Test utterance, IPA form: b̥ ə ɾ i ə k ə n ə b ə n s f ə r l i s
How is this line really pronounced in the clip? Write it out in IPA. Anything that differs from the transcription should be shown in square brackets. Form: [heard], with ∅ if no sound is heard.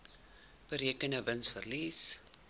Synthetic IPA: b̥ ə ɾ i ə k ə n ə [v] ə n s f ə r l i s